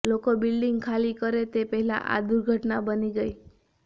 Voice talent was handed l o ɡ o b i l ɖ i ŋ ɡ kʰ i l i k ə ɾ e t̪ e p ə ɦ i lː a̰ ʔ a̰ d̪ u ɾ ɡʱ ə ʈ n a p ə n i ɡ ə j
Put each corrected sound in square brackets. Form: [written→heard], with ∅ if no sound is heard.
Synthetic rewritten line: l o [ɡ→k] o b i l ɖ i ŋ ɡ kʰ [i→a] l i k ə ɾ e t̪ e p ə ɦ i [lː→l] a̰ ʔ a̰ d̪ u ɾ ɡʱ ə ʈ n a [p→b] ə n i ɡ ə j

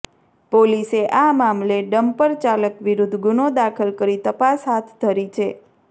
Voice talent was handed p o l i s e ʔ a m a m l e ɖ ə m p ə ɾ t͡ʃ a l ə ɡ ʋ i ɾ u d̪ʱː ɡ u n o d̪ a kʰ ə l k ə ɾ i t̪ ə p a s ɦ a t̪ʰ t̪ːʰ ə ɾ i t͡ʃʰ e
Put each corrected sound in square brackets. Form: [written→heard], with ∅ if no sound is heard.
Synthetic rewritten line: p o l i s e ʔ a m a m l e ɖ ə m p ə ɾ t͡ʃ a l ə [ɡ→k] ʋ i ɾ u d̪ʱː ɡ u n o d̪ a kʰ ə l k ə ɾ i t̪ ə p a s ɦ a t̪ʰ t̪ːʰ ə ɾ i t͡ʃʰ e

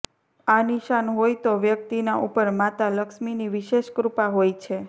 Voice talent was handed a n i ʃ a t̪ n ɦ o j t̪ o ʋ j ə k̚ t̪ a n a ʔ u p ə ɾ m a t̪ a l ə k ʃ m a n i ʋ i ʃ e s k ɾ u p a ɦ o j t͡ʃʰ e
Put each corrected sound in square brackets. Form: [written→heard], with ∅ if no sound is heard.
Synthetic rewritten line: a n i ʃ a [t̪→∅] n ɦ o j t̪ o ʋ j ə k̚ t̪ [a→i] n a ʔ u p ə ɾ m a t̪ a l ə k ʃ m [a→i] n i ʋ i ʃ e [s→ʃ] k ɾ u p a ɦ o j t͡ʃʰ e

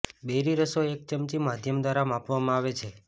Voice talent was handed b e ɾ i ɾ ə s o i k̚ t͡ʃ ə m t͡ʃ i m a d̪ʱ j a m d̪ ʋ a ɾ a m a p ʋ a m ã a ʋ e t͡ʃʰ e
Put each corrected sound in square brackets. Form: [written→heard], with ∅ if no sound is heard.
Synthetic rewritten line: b e ɾ i ɾ ə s o [i→e] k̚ t͡ʃ ə m t͡ʃ i m a d̪ʱ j [a→ə] m d̪ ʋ a ɾ a m a p ʋ a m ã a ʋ e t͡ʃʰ e

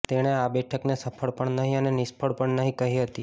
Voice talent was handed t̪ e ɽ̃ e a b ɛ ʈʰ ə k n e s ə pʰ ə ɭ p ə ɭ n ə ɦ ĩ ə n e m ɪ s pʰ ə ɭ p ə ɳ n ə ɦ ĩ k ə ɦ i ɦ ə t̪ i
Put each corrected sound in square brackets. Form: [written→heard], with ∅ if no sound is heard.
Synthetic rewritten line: t̪ e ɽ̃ e a b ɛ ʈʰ ə k n e s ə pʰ ə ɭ p ə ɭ n ə ɦ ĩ ə n e [m→n] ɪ s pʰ ə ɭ p ə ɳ n ə ɦ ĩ k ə ɦ i ɦ ə t̪ i

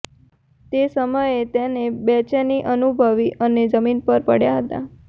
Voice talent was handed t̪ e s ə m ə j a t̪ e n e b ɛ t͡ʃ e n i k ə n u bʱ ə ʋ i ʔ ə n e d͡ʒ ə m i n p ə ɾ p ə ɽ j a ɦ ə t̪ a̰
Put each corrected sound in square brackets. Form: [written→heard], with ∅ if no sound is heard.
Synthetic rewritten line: t̪ e s ə m ə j [a→e] t̪ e n e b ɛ t͡ʃ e n i [k→ʔ] ə n u bʱ ə ʋ i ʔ ə n e d͡ʒ ə m i n p ə ɾ p ə ɽ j a ɦ ə t̪ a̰

